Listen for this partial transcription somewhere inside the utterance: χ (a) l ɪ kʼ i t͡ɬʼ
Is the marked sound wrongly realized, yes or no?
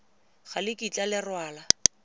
no